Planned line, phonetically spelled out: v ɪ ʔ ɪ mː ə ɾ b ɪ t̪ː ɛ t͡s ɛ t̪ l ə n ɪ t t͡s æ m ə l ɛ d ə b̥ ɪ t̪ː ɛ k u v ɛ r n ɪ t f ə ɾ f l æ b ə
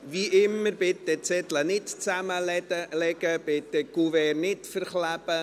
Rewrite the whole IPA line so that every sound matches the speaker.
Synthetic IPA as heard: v i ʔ ɪ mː ə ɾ b ɪ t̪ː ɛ t͡s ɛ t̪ l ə n ɪ t t͡s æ m ə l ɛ ɡ ə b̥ ɪ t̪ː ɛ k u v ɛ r n ɪ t f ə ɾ χ l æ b ə